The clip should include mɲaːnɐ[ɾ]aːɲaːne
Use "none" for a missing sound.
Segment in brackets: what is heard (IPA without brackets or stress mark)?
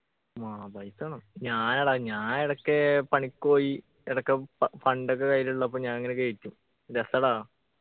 ɽ